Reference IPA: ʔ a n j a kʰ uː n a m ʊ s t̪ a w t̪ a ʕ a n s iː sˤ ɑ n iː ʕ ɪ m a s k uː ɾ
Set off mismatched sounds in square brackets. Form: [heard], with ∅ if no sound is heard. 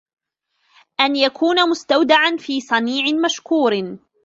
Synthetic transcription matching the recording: ʔ a n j a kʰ uː n a m ʊ s t̪ a w [d̪] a ʕ a n [f] iː sˤ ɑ n iː ʕ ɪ m a [ʃ] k uː ɾ